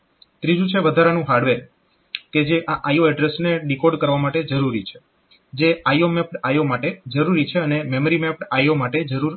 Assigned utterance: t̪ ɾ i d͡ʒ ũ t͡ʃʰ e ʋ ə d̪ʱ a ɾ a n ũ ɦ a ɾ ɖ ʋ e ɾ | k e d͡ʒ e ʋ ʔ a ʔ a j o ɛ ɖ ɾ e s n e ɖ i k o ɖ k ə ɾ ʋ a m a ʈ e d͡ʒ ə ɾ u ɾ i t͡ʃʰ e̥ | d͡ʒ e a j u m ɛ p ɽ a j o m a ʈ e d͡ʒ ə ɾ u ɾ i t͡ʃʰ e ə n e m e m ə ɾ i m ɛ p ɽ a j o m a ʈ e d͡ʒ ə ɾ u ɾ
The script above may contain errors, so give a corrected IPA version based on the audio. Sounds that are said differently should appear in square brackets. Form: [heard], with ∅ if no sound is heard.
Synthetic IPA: t̪ ɾ i d͡ʒ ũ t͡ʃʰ e ʋ ə d̪ʱ a ɾ a n ũ ɦ a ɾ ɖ ʋ e ɾ | k e d͡ʒ e [∅] ʔ a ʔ a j o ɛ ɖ ɾ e s n e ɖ i k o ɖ k ə ɾ ʋ a m a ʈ e d͡ʒ ə ɾ u ɾ i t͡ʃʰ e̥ | d͡ʒ e a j [o] m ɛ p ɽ a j o m a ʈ e d͡ʒ ə ɾ u ɾ i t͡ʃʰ e ə n e m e m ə ɾ i m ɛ p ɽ a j o m a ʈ e d͡ʒ ə ɾ u ɾ